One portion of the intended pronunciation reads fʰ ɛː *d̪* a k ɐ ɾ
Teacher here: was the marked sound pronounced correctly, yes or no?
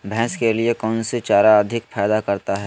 yes